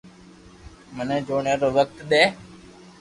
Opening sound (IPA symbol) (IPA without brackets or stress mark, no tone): m